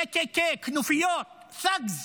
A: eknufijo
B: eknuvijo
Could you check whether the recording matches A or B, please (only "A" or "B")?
A